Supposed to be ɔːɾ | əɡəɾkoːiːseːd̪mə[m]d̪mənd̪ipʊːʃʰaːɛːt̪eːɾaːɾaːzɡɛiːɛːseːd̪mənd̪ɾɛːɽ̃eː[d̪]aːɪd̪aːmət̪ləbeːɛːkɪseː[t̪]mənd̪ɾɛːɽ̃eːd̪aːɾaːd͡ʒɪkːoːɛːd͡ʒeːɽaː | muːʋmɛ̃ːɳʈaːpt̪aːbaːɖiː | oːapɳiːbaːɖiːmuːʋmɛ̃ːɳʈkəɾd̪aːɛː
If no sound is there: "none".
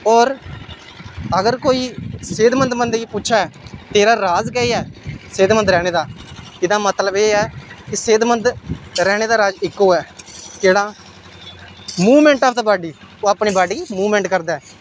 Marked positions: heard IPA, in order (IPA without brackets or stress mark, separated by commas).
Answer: n, d̪, d̪